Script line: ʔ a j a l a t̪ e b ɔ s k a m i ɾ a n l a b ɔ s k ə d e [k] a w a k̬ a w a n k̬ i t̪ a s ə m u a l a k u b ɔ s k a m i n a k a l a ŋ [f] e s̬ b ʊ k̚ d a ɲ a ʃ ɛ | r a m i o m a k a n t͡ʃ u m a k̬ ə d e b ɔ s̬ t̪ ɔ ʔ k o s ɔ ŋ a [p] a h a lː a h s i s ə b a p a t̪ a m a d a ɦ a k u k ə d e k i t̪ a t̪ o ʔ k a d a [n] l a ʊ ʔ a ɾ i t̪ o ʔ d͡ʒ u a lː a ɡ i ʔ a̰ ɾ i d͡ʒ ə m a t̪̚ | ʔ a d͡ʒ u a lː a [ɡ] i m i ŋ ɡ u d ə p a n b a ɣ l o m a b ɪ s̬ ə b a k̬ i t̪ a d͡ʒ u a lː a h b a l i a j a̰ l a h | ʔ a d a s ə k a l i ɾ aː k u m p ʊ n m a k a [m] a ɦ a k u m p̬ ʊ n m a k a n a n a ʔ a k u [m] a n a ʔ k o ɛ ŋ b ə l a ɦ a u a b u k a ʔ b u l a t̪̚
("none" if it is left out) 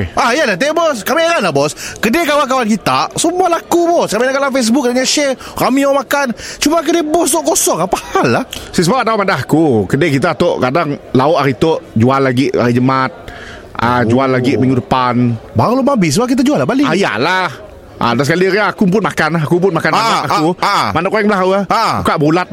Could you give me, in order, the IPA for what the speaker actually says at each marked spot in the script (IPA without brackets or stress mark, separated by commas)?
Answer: k, f, p, ŋ, ɡ, n, m